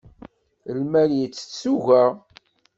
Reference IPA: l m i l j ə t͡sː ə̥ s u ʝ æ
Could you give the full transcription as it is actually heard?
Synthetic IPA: l m æ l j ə t͡sː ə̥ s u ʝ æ